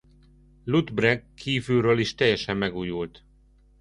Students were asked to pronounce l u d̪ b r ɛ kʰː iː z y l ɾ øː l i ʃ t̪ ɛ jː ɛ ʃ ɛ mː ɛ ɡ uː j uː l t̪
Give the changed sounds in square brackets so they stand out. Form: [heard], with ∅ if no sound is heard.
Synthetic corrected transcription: l u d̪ b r ɛ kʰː iː [v] y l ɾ øː l i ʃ t̪ ɛ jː ɛ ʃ ɛ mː ɛ ɡ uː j [u] l t̪

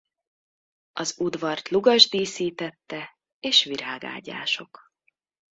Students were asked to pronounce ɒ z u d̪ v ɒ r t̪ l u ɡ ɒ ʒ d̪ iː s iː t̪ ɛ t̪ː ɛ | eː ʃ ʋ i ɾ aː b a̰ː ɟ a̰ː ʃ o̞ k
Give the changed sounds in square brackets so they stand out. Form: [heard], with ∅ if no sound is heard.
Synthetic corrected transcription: ɒ z u d̪ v ɒ r t̪ l u ɡ ɒ ʒ d̪ iː s iː t̪ ɛ t̪ː ɛ | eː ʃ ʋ i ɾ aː [ɡ] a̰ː ɟ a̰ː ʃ o̞ k

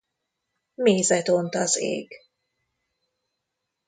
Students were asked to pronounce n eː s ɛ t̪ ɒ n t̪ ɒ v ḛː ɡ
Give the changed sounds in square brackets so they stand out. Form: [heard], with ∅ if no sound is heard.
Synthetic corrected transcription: [m] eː [z] ɛ t̪ [o] n t̪ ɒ [z] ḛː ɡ

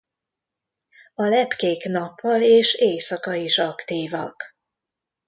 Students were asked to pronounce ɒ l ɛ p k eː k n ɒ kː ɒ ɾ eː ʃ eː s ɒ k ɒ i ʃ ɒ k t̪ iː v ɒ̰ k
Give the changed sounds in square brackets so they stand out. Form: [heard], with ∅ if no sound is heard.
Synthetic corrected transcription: ɒ l ɛ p k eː k n ɒ [pː] ɒ [l] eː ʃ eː s ɒ k ɒ i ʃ ɒ k t̪ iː v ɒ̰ k

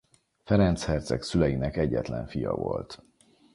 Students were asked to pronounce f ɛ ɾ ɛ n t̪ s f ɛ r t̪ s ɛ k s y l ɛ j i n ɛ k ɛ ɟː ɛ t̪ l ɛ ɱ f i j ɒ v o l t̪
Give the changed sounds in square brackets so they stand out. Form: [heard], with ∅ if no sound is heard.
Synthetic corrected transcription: f ɛ ɾ ɛ n t̪ s [h] ɛ r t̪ s ɛ k s y l ɛ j i n ɛ k ɛ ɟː ɛ t̪ l ɛ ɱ f i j ɒ v o l t̪

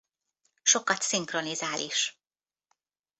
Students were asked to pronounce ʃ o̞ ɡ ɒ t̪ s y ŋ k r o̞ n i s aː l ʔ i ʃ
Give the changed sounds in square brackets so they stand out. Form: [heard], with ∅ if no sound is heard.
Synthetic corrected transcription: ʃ o̞ [k] ɒ t̪ s [i] ŋ k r o̞ n i [z] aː l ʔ i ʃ

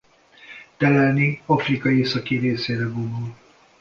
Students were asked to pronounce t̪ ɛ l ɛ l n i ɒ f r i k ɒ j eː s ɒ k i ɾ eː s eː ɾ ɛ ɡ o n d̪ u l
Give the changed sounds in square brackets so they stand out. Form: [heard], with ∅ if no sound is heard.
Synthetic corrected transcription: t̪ ɛ l ɛ l n i ɒ f r i k ɒ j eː s ɒ k i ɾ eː s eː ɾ ɛ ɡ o n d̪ u l

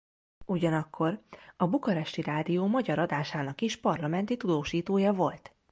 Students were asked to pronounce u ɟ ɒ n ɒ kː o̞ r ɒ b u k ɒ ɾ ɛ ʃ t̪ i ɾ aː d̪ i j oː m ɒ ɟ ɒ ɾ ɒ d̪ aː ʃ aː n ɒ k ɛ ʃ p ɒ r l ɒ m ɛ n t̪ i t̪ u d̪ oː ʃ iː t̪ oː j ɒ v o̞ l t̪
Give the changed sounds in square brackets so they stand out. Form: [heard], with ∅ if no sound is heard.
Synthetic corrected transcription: u ɟ ɒ n ɒ kː o̞ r ɒ b u k ɒ ɾ ɛ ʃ t̪ i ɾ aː d̪ i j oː m ɒ ɟ ɒ ɾ ɒ d̪ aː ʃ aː n ɒ k [i] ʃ p ɒ r l ɒ m ɛ n t̪ i t̪ u d̪ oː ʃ iː t̪ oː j ɒ v o̞ l t̪

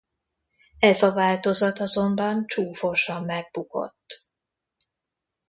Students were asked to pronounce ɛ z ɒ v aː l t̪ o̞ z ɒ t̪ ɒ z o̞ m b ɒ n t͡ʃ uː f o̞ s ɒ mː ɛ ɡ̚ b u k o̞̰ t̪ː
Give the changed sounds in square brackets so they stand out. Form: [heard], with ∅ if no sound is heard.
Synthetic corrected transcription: ɛ z ɒ v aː l t̪ o̞ z ɒ t̪ ɒ z o̞ m b ɒ n t͡ʃ uː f o̞ [ʃ] ɒ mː ɛ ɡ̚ b u k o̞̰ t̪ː

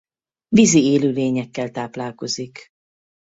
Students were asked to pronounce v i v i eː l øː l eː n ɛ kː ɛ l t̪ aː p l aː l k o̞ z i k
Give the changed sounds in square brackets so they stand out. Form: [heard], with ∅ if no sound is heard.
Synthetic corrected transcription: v i [z] i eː l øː l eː [ɲ] ɛ kː ɛ l t̪ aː p l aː l k o̞ z i k

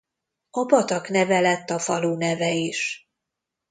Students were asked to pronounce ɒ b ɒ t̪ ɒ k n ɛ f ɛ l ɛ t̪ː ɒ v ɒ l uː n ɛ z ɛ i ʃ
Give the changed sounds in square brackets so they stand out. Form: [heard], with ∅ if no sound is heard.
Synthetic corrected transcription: ɒ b ɒ t̪ ɒ k n ɛ [v] ɛ l ɛ t̪ː ɒ [f] ɒ l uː n ɛ [v] ɛ i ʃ

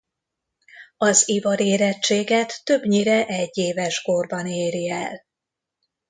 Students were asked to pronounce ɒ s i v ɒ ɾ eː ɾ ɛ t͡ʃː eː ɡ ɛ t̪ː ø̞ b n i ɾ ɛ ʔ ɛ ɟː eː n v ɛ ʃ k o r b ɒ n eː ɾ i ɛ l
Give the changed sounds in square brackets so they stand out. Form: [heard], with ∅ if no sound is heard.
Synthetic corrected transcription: ɒ [z] i v ɒ ɾ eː ɾ ɛ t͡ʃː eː ɡ ɛ t̪ː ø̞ b [ɲ] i ɾ ɛ ʔ ɛ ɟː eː [∅] v ɛ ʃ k o r b ɒ n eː ɾ i ɛ l

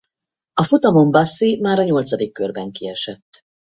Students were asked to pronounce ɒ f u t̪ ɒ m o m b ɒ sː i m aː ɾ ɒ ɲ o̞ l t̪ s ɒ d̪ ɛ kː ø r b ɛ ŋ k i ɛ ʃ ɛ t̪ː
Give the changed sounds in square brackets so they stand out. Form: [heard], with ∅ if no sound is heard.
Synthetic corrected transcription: ɒ f u t̪ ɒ m o m b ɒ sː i m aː ɾ ɒ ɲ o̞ l t̪ s ɒ d̪ [i] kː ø r b ɛ ŋ k i ɛ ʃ ɛ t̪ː

